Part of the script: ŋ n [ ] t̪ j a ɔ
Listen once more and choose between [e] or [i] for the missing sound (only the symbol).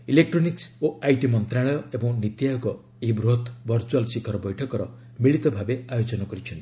i